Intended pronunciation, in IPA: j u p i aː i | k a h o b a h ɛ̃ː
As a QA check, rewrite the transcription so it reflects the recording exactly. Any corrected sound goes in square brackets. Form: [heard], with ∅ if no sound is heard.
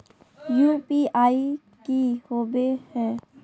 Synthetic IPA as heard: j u p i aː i | k [i] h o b [e] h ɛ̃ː